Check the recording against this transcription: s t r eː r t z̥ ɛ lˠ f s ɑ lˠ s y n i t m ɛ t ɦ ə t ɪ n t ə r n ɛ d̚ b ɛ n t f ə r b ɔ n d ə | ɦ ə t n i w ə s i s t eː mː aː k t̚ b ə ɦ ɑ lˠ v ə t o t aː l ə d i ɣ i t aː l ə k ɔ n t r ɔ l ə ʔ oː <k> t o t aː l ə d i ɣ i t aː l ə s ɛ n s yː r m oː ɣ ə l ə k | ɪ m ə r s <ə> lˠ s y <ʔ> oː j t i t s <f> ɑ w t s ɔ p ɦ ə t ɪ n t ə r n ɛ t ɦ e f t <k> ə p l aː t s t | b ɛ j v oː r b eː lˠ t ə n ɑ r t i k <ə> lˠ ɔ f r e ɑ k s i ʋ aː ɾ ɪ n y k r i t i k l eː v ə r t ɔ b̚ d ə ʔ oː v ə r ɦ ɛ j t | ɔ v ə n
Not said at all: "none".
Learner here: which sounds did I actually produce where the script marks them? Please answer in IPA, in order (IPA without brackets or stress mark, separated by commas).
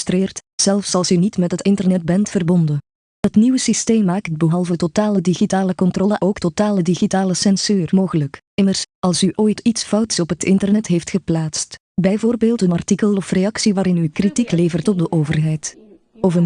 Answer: k, ɑ, ʔ, f, x, ə